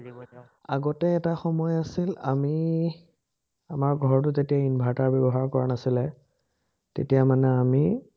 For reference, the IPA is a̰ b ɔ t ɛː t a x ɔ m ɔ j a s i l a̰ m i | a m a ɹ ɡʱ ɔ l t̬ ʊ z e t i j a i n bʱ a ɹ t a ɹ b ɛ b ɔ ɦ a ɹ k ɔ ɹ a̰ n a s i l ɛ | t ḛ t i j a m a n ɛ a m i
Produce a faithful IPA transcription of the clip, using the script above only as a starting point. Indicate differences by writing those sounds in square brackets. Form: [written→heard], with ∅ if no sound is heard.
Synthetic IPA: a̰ [b→ɡ] ɔ t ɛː t a x ɔ m ɔ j a s i l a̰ m i | a m a ɹ ɡʱ ɔ [l→ɹ] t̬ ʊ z e t i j a i n bʱ a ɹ t a ɹ b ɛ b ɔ ɦ a ɹ k ɔ ɹ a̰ n a s i l ɛ | t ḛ t i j a m a n ɛ a m i

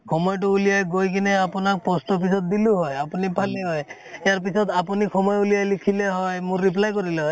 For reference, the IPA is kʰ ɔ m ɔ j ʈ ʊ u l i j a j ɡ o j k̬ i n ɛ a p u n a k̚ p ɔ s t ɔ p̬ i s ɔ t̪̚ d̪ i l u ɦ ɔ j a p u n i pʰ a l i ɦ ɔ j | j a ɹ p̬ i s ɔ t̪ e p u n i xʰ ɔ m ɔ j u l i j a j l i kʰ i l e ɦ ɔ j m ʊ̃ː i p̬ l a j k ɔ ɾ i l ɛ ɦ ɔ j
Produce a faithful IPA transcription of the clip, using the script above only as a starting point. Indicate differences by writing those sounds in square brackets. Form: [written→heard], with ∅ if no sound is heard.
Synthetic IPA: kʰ ɔ m ɔ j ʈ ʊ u l i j a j ɡ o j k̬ i n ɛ a p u n a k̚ p ɔ s t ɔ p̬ i s ɔ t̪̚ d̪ i l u ɦ ɔ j a p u n i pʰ a l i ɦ ɔ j | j a ɹ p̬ i s ɔ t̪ [e→a] p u n i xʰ ɔ m ɔ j u l i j a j l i kʰ i l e ɦ ɔ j m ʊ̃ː i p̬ l a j k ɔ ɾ i l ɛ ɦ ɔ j

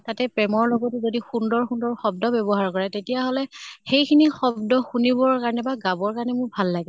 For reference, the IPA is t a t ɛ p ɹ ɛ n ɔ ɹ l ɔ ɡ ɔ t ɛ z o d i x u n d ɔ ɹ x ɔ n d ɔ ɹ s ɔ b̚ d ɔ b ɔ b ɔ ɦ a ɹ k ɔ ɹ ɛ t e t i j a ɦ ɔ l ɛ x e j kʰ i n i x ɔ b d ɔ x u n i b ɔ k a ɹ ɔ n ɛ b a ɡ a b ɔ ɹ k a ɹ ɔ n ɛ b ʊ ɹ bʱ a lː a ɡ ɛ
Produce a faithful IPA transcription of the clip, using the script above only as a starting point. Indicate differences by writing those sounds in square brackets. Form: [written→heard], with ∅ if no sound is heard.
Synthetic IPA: t a t ɛ p ɹ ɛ [n→m] ɔ ɹ l ɔ ɡ ɔ t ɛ z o d i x u n d ɔ ɹ x [ɔ→u] n d ɔ ɹ [s→x] ɔ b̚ d ɔ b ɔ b ɔ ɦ a ɹ k ɔ ɹ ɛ t e t i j a ɦ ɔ l ɛ x e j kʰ i n i x ɔ b d ɔ x u n i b ɔ k a ɹ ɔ n ɛ b a ɡ a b ɔ ɹ k a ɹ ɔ n ɛ [b→m] ʊ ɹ bʱ a lː a ɡ ɛ

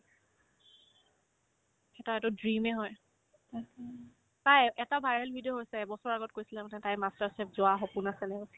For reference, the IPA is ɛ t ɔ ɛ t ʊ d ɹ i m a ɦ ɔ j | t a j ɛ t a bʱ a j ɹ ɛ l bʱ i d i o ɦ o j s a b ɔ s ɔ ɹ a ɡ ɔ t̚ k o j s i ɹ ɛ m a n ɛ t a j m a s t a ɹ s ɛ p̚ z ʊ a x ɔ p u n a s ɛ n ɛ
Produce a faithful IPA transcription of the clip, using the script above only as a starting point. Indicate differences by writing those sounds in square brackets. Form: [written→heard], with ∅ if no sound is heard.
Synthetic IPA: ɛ t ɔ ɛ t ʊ d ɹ i m [a→ɛ] ɦ ɔ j | t a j ɛ t a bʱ a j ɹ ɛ l bʱ i d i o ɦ o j s [a→ɛ] b ɔ s ɔ ɹ a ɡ ɔ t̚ k o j s i [ɹ→l] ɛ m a n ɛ t a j m a s t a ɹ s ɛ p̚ z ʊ a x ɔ p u n a s ɛ n ɛ

